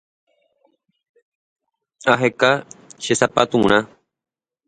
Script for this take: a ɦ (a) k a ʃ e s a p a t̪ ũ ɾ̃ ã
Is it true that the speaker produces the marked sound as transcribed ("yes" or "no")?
no